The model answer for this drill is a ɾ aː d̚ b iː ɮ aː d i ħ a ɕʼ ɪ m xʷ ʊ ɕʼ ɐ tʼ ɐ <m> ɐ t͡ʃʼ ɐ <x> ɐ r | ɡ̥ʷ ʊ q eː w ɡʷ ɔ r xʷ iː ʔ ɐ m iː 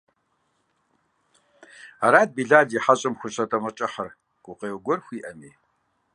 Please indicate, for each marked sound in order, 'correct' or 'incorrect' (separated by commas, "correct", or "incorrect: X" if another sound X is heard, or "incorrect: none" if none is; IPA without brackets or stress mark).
correct, incorrect: ħ